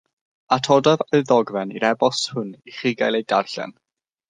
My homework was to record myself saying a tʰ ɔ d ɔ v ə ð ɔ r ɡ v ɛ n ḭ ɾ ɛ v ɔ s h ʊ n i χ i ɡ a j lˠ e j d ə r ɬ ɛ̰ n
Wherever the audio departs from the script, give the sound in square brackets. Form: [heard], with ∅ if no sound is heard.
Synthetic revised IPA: a tʰ ɔ d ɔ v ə ð ɔ [∅] ɡ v ɛ n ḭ ɾ ɛ [b] ɔ s h ʊ n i χ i ɡ a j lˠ e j d [a] r ɬ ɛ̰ n